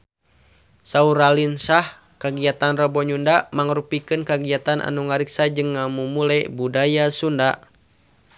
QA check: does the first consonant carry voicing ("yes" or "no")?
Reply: no